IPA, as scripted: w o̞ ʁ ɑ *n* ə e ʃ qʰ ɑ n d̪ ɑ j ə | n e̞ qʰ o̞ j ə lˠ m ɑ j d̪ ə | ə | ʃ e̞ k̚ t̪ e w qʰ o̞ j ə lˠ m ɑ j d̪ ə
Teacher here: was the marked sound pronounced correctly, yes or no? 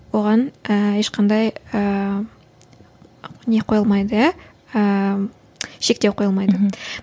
yes